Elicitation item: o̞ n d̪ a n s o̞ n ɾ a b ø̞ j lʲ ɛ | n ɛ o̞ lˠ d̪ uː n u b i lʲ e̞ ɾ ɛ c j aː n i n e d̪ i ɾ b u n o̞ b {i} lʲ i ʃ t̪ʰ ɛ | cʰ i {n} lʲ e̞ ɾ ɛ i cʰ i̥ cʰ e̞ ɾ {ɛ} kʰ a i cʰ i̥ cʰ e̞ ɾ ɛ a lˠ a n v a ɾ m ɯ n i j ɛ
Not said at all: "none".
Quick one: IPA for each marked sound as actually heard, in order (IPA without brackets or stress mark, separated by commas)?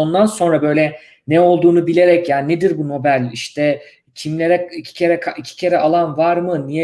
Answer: æ, m, ɛ